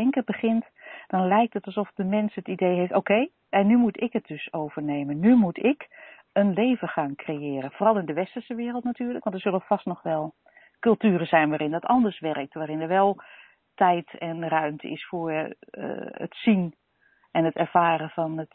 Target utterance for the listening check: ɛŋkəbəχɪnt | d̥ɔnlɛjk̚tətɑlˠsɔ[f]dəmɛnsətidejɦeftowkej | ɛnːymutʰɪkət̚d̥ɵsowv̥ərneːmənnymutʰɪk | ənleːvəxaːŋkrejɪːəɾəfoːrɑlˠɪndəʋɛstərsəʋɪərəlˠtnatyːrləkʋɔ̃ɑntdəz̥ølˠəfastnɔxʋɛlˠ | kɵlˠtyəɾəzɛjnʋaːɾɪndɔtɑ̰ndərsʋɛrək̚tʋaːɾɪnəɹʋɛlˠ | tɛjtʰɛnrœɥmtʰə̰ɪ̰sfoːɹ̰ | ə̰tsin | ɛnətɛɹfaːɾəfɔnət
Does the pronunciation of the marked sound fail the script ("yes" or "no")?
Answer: no